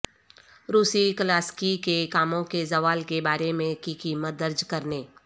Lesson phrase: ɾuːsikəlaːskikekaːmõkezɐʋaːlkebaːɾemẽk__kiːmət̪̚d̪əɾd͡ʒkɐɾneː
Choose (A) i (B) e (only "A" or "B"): A